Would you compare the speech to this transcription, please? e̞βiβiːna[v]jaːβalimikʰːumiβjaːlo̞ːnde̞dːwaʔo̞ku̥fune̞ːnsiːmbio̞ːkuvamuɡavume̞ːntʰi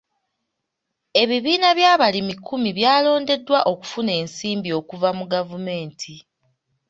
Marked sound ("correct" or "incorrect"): incorrect